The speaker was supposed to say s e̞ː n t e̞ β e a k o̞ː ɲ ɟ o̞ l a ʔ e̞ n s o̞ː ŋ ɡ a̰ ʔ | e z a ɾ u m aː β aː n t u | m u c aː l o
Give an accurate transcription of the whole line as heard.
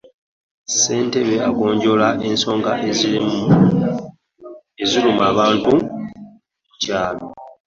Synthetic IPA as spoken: s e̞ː n t e̞ β e a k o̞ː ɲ ɟ o̞ l a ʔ e̞ n s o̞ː ŋ ɡ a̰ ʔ | e z i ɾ u m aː β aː n t u | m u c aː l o